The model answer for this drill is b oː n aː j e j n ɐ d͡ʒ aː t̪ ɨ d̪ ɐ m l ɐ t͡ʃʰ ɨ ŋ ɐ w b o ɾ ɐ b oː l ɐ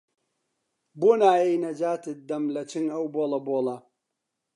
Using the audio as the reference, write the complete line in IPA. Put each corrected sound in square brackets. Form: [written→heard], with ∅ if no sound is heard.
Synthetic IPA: b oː n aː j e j n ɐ d͡ʒ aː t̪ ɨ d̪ ɐ m l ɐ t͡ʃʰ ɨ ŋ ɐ w b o [ɾ→l] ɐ b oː l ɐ